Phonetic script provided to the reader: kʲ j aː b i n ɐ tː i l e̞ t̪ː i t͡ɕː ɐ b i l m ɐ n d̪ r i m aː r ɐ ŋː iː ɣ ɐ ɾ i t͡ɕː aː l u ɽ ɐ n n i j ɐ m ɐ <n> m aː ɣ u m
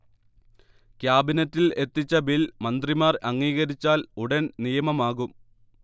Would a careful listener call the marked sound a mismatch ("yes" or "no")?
yes